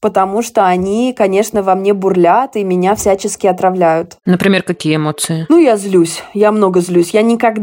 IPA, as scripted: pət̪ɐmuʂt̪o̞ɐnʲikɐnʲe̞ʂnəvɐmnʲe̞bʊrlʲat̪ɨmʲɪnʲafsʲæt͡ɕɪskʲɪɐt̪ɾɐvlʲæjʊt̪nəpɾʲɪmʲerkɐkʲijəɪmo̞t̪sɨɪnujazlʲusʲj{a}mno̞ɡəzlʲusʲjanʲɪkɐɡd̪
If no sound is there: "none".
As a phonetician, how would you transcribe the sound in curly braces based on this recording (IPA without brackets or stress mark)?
a